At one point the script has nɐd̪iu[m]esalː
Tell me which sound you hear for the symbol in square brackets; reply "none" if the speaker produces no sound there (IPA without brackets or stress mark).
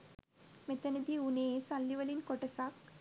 n